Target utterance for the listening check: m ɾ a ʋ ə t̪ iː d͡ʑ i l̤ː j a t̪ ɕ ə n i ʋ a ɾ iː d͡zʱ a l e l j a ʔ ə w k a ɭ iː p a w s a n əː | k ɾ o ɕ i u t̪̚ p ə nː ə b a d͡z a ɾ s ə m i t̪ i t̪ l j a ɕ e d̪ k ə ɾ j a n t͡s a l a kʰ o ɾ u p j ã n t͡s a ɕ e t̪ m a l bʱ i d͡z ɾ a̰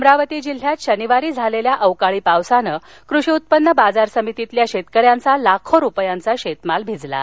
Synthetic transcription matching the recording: m ɾ a ʋ ə t̪ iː d͡ʑ i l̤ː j a t̪ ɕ ə n i ʋ a ɾ iː d͡zʱ a l e l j a ʔ ə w k a ɭ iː p a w s a n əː | k ɾ u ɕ i u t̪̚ p ə nː ə b a d͡z a ɾ s ə m i t̪ i t̪ l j a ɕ e t̪ k ə ɾ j a n t͡s a l a kʰ o ɾ u p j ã n t͡s a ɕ e t̪ m a l bʱ i d͡z l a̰